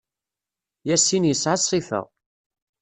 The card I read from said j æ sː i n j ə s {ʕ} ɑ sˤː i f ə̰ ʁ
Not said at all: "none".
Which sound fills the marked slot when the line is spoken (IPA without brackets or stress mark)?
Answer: ʕ